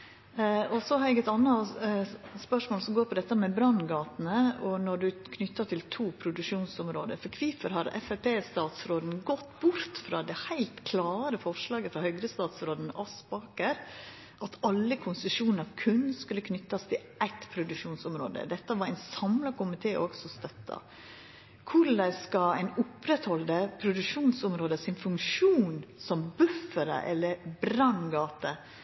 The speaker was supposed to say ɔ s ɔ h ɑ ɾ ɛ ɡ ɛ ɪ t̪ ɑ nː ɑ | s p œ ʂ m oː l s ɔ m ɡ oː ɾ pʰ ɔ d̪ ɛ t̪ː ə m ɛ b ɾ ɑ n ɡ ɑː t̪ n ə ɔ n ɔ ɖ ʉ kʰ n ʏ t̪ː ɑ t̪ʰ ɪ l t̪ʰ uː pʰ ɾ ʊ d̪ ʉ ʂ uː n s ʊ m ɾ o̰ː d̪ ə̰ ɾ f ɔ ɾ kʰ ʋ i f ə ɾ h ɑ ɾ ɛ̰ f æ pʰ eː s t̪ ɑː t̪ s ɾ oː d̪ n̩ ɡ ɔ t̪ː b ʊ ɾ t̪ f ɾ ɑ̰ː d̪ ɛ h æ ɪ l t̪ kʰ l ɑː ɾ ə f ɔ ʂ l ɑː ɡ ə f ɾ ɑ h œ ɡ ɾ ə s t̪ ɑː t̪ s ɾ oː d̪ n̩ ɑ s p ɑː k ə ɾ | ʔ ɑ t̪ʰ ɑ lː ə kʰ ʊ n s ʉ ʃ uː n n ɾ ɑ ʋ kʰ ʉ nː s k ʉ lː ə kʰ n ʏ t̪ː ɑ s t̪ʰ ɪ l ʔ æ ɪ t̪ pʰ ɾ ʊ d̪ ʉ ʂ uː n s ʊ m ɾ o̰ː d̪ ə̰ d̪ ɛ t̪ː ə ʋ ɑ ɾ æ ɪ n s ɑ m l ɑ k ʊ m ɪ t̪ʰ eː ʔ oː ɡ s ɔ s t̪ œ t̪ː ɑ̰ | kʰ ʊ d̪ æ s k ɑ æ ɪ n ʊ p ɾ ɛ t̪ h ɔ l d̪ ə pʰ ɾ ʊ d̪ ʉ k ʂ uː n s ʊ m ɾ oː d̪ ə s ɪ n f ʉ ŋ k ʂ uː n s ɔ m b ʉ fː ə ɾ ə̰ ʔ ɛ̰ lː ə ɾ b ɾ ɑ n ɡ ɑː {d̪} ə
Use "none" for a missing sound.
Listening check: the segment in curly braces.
t̪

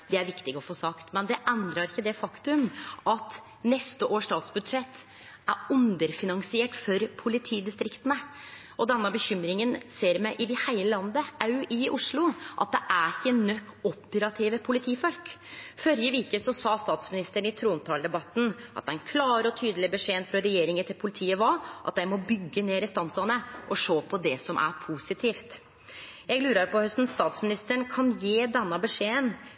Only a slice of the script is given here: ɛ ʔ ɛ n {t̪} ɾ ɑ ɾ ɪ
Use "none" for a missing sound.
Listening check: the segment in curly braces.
d̪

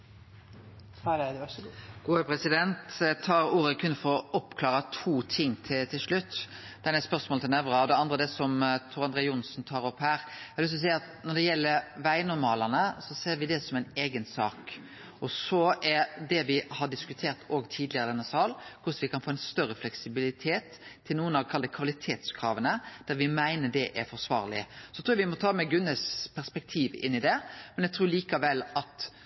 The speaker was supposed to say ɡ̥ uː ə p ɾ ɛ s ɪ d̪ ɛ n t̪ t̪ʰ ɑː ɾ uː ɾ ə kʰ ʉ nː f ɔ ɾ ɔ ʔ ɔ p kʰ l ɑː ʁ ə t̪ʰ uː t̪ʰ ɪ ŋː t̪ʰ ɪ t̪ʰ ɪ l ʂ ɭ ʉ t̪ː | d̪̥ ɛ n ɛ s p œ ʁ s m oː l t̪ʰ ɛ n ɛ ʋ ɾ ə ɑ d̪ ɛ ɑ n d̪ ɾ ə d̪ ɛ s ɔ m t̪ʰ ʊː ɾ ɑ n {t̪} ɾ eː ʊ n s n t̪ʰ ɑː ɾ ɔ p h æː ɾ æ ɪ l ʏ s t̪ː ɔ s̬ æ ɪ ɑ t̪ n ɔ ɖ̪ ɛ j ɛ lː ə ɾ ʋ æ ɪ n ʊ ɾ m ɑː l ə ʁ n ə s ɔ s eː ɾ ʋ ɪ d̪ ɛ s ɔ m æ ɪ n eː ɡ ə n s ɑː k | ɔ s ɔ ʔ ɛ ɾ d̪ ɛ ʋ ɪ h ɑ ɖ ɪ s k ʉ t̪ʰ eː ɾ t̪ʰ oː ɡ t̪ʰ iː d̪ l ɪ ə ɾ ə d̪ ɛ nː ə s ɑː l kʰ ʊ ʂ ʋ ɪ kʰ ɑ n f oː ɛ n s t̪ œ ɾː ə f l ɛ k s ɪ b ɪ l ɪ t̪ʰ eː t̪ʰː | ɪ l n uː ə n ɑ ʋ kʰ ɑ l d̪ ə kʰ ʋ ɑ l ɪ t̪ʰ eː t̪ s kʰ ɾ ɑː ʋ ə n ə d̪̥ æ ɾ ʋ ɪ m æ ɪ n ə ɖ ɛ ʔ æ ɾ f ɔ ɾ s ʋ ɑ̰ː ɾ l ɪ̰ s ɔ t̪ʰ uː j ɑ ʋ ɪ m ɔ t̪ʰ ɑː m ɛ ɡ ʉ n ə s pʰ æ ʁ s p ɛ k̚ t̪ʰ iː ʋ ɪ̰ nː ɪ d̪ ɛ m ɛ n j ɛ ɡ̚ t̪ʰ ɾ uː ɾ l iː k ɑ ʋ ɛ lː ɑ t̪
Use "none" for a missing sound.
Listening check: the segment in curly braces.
d̪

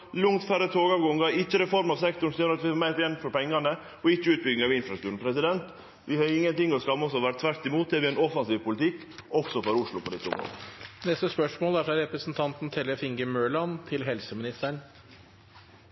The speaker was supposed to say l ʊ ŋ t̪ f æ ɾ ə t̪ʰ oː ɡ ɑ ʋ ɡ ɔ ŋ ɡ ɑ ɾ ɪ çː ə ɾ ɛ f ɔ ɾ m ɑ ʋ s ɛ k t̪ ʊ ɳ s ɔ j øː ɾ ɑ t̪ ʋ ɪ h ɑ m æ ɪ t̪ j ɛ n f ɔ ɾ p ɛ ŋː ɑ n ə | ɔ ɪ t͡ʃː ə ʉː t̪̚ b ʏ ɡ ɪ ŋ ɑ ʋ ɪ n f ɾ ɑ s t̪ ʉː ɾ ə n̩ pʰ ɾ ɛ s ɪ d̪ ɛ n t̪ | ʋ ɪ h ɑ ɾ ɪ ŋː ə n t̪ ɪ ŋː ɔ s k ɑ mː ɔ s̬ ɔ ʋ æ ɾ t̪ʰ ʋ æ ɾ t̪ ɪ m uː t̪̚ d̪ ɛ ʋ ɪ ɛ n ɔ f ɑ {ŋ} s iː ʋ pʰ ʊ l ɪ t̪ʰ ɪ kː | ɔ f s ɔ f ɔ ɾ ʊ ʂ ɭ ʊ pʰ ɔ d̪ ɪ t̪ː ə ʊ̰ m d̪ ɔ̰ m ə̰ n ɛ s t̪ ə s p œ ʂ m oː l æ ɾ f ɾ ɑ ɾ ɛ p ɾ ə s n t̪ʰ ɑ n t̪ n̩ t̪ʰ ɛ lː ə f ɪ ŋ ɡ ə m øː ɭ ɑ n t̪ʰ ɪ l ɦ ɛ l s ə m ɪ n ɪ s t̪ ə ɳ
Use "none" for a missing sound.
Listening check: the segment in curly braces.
n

